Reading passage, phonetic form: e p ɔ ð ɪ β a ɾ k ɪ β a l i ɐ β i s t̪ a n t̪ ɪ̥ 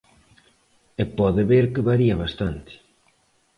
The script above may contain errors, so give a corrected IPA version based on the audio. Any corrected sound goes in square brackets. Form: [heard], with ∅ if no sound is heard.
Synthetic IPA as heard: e p ɔ ð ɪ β [e] ɾ k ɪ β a [ɾ] i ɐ β [a] s t̪ a n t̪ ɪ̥

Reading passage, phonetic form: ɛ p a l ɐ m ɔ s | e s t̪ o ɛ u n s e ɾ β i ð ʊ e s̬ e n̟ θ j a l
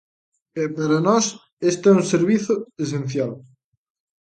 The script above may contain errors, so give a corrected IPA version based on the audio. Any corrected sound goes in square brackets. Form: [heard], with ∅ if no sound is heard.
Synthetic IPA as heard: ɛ p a [ɾ] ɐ [n] ɔ s | e s t̪ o ɛ u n s e ɾ β i [θ] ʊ e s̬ e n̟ θ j a l

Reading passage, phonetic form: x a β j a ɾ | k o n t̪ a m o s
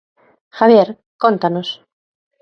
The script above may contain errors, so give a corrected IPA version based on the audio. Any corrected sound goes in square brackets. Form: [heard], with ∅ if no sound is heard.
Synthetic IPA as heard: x a β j [e] ɾ | k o n t̪ a [n] o s

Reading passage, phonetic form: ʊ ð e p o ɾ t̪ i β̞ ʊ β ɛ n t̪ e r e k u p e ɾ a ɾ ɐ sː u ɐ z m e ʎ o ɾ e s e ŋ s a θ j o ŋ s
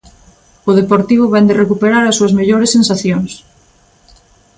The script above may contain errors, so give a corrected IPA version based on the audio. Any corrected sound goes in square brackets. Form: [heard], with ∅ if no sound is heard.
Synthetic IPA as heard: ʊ ð e p o ɾ t̪ i β̞ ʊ β ɛ n [d̪] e r e k u p e ɾ a ɾ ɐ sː u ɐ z m e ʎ o ɾ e s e [n] s a θ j o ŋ s

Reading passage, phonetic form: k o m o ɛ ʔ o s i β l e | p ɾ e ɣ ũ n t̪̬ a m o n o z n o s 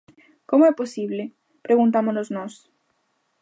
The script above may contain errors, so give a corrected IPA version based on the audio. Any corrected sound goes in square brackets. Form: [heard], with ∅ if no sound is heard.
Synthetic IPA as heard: k o m o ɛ [p] o s i β l e | p ɾ e ɣ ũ n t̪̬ a m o n o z n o s

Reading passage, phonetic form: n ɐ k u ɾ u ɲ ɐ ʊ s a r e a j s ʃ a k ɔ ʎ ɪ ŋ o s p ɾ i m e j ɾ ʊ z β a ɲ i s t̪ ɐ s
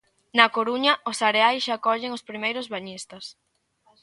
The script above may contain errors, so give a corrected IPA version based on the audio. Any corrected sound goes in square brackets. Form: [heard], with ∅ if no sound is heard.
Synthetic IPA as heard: n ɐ k [o] ɾ u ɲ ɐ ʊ s a [ɾ] e a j s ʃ a k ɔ ʎ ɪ ŋ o s p ɾ i m e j ɾ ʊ z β a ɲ i s t̪ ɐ s

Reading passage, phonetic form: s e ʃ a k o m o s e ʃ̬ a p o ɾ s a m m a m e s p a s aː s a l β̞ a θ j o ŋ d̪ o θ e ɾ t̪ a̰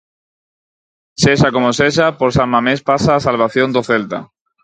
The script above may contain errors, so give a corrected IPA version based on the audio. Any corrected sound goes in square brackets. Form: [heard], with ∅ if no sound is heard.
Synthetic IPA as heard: s e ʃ a k o m o s e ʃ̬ a p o ɾ s a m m a m e s p a s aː s a l β̞ a θ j o [n] d̪ o θ e [l] t̪ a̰

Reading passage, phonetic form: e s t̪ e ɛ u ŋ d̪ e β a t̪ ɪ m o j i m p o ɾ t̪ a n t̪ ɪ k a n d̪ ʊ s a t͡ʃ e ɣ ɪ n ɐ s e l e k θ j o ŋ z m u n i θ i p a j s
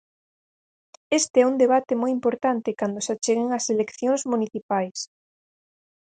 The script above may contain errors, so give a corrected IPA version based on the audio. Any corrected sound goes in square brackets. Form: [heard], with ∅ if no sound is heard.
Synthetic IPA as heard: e s t̪ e ɛ u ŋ d̪ e β a t̪ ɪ m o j i m p o ɾ t̪ a n t̪ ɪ k a n d̪ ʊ s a t͡ʃ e ɣ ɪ [ŋ] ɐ s e l e k θ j o ŋ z m u n i θ i p a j s

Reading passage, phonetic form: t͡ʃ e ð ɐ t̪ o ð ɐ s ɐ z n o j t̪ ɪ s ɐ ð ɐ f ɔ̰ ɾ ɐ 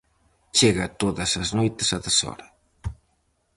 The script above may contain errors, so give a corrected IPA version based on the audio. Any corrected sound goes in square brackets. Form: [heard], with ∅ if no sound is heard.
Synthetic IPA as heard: t͡ʃ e [ɣ] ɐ t̪ o ð ɐ s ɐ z n o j t̪ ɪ s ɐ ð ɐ [s] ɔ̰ ɾ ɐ

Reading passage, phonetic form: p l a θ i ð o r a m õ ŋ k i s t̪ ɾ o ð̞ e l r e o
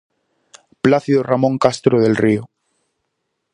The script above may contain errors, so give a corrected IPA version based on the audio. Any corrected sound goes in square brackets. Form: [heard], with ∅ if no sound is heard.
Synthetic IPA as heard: p l a θ i ð o r a m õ ŋ k [a] s t̪ ɾ o ð̞ e l r [i] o

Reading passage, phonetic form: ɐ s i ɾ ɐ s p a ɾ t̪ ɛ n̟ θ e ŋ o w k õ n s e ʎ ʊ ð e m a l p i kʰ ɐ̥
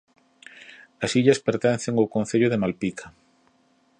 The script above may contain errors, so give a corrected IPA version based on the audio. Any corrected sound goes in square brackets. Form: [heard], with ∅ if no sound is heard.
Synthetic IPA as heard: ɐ s i [ʎ] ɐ s p [e] ɾ t̪ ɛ n̟ θ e ŋ o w k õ n [θ] e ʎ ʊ ð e m a l p i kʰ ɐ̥

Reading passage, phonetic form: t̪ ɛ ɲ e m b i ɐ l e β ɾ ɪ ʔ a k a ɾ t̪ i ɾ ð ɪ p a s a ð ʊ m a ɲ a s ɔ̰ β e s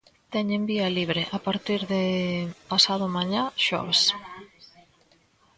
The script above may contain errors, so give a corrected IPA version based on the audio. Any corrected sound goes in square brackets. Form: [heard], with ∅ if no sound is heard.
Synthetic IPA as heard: t̪ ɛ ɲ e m b i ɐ l [i] β ɾ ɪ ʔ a [p] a ɾ t̪ i ɾ ð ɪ p a s a ð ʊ m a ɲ a [ʃ] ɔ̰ β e s

